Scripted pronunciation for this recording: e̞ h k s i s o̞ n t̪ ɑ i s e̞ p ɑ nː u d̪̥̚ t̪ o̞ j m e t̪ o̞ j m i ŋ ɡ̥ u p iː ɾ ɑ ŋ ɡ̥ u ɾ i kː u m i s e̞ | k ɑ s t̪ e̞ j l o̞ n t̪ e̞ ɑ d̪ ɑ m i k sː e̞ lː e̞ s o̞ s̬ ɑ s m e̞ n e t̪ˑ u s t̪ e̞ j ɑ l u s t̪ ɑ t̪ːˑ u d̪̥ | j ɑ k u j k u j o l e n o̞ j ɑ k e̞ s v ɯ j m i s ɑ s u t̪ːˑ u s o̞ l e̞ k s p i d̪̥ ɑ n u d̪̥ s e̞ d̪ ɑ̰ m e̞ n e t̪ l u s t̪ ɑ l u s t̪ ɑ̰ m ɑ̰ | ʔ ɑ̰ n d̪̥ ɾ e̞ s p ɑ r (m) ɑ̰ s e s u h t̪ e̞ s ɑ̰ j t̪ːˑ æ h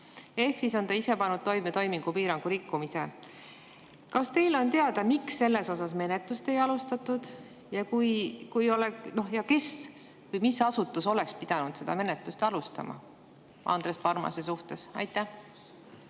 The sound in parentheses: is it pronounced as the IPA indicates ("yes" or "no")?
yes